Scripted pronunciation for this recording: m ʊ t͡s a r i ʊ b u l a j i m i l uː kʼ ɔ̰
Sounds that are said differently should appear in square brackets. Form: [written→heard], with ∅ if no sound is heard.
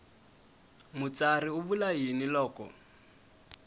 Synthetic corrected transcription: m ʊ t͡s a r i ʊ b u l a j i [m→n] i l [uː→ɔː] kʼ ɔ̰